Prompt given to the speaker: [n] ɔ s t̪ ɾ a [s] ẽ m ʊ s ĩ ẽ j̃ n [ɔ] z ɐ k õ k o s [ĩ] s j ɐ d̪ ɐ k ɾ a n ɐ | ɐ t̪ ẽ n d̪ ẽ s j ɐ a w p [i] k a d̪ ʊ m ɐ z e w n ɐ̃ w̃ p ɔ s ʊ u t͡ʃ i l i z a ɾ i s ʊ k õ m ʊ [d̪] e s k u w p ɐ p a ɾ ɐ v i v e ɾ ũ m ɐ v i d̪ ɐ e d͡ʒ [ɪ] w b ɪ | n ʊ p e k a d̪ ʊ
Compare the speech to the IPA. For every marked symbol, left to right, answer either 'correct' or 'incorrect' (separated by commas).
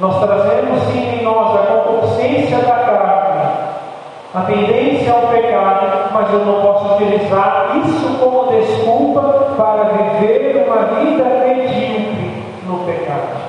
correct, incorrect, correct, incorrect, incorrect, correct, incorrect